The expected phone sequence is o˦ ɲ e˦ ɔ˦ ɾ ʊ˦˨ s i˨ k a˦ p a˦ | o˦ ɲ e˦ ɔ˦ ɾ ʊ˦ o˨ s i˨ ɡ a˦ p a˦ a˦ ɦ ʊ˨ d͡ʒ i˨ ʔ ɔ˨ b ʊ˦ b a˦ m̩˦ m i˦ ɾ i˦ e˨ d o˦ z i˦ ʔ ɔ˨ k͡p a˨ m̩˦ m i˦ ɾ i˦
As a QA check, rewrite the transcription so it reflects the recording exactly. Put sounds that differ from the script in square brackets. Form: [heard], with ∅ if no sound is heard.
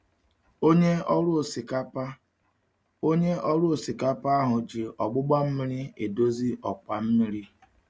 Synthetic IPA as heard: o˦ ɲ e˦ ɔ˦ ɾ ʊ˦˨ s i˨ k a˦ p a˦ | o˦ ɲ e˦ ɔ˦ ɾ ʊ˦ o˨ s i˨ [k] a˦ p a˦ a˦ ɦ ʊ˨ d͡ʒ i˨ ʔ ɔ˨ [ɡ͡b] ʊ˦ [ɡ͡b] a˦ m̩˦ m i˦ ɾ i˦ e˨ d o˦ z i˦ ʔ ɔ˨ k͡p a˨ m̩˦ m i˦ ɾ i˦